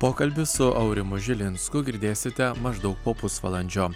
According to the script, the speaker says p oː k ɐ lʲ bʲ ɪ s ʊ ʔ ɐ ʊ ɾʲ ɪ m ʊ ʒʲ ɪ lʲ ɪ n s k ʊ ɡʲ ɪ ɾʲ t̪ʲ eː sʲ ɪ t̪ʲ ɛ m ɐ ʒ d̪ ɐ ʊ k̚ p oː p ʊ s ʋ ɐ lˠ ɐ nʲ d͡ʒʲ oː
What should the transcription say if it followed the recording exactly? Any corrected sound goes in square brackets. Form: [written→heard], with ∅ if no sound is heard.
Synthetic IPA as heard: p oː k ɐ lʲ bʲ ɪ s ʊ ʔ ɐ ʊ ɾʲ ɪ m ʊ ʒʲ ɪ lʲ ɪ n s k ʊ ɡʲ ɪ ɾʲ [t̪ʲ→d̪ʲ] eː sʲ ɪ t̪ʲ ɛ m ɐ ʒ d̪ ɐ ʊ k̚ p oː p ʊ s ʋ ɐ lˠ ɐ nʲ d͡ʒʲ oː